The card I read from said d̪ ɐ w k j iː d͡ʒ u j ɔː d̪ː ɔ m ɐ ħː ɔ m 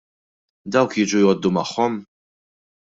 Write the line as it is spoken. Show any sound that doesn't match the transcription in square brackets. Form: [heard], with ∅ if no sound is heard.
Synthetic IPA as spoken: d̪ ɐ w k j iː d͡ʒ u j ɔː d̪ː [u] m ɐ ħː ɔ m